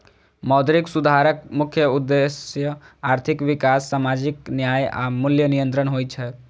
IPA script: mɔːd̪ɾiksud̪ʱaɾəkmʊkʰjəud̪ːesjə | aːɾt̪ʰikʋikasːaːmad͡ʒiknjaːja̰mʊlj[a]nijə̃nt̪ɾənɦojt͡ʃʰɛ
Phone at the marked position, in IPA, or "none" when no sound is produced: ə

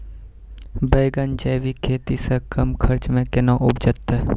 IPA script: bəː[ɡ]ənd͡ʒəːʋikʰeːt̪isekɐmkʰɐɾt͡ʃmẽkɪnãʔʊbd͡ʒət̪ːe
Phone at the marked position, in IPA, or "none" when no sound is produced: ɡ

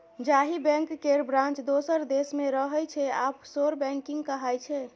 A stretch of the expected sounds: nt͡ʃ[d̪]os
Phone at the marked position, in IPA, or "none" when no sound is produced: d̪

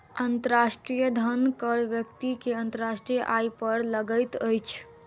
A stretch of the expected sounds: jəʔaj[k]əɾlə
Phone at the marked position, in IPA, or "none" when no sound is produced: p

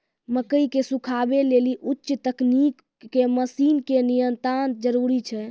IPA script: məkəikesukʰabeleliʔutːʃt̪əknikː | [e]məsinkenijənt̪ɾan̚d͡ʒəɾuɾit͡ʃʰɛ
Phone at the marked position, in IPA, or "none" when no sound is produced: e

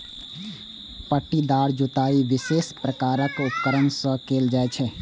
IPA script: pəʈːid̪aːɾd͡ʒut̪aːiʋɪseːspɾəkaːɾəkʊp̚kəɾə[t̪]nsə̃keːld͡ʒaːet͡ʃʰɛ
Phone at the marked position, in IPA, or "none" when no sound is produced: none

